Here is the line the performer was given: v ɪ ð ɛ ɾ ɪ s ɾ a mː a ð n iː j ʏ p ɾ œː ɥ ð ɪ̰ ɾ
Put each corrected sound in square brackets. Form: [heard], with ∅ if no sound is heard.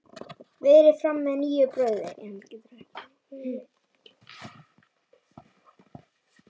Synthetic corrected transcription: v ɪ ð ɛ ɾ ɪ [f] ɾ a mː [ɛ] ð n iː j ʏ p ɾ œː ɥ ð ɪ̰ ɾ